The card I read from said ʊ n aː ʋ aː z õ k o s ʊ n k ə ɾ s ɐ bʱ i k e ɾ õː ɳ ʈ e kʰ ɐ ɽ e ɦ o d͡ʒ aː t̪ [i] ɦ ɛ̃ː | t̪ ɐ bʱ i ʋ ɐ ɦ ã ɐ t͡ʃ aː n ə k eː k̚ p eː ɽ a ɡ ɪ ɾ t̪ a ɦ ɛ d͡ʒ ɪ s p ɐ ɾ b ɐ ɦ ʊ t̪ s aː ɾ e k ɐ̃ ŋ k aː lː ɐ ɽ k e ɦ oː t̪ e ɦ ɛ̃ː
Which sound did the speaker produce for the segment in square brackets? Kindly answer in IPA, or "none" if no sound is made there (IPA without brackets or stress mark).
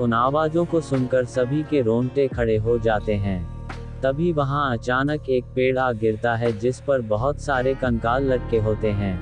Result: e